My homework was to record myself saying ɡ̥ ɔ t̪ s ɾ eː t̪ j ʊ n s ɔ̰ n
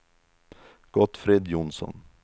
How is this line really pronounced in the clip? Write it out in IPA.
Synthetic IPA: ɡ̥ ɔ t̪ f ɾ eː d̪ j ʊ n s ɔ̰ n